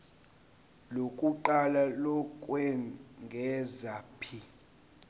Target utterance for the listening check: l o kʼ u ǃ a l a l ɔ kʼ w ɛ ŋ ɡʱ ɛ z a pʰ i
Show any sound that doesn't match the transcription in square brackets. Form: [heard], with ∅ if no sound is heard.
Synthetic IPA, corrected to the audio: l o kʼ u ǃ a l a l ɔ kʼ w ɛ ŋ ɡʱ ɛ z a pʰ i